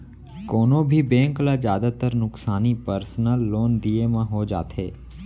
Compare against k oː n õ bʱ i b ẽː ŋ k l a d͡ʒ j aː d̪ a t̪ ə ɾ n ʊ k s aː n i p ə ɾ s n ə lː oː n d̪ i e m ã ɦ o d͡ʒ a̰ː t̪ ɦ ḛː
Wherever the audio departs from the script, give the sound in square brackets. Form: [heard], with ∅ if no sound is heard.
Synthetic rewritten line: k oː n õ bʱ i b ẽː ŋ k l a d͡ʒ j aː d̪ a t̪ ə ɾ n ʊ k s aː n i p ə ɾ s n ə lː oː n d̪ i e m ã ɦ o d͡ʒ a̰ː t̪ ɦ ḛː